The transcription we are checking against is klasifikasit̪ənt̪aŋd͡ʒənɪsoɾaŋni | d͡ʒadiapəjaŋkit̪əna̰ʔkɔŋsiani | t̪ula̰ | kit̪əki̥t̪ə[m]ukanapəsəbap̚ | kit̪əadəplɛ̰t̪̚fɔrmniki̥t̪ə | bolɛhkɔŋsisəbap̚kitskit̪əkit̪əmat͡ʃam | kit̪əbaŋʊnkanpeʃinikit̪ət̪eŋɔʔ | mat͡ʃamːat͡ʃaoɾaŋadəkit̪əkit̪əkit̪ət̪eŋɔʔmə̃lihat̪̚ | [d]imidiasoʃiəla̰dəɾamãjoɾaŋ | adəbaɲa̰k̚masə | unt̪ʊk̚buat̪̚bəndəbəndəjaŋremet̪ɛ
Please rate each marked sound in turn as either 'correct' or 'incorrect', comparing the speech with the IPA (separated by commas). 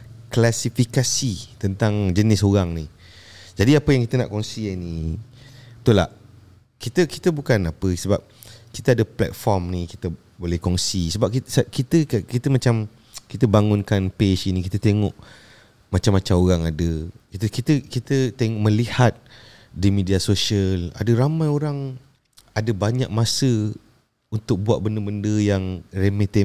incorrect, correct